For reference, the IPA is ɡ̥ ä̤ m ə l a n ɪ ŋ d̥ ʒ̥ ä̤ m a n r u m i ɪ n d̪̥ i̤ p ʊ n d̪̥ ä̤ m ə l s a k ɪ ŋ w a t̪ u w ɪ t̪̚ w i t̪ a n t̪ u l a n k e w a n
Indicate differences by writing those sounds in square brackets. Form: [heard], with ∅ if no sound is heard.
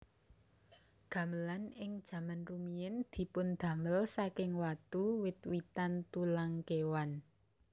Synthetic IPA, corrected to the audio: ɡ̥ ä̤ m ə l a n ɪ ŋ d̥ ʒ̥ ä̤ m a n r u m i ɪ n d̪̥ i̤ p ʊ n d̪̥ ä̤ m ə l s a k ɪ ŋ w a t̪ u w ɪ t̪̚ w i t̪ a n t̪ u l a [ŋ] k e w a n